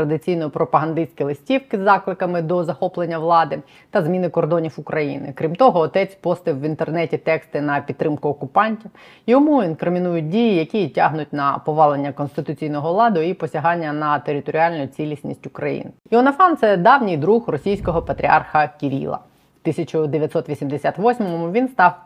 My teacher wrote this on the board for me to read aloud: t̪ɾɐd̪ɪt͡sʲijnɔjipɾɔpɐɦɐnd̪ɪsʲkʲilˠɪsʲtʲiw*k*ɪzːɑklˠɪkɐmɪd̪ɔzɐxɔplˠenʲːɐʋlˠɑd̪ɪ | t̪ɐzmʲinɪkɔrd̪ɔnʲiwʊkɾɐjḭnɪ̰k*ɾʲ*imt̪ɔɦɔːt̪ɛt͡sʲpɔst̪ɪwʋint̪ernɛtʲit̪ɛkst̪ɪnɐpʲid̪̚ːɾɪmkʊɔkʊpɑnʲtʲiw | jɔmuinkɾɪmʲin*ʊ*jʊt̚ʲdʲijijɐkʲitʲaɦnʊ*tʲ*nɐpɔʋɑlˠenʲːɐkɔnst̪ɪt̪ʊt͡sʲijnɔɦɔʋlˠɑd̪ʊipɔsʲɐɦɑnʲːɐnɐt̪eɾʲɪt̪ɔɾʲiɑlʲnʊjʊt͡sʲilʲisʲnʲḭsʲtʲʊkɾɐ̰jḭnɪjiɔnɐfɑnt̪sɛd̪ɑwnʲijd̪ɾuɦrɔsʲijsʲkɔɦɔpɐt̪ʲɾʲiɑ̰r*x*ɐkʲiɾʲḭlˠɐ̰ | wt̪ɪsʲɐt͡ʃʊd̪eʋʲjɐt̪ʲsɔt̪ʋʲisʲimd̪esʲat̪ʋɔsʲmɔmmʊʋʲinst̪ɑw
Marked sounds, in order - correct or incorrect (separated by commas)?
correct, correct, incorrect, correct, correct